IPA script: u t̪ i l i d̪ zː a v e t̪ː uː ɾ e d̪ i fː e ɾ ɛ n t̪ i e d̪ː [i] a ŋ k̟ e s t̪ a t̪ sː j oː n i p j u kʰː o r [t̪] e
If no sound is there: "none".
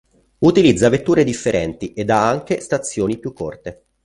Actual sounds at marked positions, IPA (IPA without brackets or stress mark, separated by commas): a, t̪